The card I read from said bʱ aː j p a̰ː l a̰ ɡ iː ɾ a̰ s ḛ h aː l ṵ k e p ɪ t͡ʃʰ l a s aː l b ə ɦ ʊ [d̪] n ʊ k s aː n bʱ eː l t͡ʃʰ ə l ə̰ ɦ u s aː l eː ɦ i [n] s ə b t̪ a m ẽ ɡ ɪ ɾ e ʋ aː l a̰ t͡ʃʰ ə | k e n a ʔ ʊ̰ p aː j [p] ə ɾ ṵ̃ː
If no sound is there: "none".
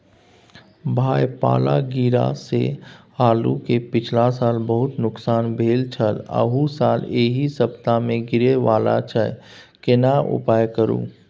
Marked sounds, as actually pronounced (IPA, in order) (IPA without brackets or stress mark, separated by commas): t̪, none, k